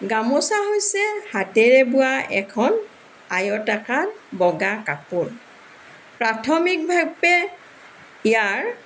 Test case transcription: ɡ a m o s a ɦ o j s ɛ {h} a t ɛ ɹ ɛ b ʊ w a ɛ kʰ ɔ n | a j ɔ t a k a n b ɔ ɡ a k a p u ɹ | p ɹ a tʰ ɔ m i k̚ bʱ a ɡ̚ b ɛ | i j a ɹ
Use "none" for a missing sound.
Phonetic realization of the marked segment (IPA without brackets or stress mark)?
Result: h